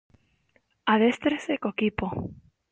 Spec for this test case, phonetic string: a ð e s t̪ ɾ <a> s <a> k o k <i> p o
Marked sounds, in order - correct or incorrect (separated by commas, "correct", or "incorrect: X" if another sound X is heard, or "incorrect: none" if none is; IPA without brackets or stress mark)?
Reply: incorrect: e, incorrect: e, correct